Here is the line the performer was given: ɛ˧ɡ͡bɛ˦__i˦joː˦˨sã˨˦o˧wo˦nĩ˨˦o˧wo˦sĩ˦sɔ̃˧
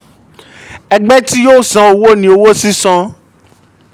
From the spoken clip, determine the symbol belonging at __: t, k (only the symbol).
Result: t